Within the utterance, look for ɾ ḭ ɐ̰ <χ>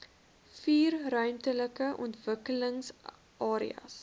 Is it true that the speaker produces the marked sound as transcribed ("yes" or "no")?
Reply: no